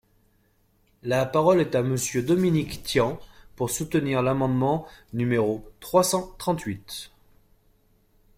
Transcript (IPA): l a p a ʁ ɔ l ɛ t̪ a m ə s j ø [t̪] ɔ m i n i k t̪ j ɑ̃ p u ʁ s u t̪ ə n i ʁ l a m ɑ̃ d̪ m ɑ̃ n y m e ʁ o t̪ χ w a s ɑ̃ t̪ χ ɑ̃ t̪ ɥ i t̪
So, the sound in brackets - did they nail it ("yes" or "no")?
no